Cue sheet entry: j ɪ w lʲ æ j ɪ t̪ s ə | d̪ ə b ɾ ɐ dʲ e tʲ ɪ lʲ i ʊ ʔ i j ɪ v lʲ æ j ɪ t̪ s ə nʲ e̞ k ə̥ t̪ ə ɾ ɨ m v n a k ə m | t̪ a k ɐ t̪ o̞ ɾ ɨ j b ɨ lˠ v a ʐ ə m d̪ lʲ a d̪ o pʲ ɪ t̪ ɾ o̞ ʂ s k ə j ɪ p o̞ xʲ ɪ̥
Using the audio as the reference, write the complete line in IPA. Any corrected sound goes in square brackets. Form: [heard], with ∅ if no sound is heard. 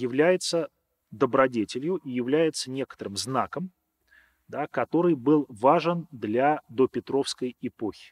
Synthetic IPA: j ɪ [v] lʲ æ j ɪ t̪ s ə | d̪ ə b ɾ ɐ dʲ e tʲ ɪ lʲ [j] ʊ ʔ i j ɪ v lʲ æ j ɪ t̪ s ə nʲ e̞ k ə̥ t̪ ə ɾ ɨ m [z] n a k ə m | [d̪] a k ɐ t̪ o̞ ɾ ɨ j b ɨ lˠ v a ʐ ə [n] d̪ lʲ a d̪ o pʲ ɪ t̪ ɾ o̞ [f] s k ə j ɪ p o̞ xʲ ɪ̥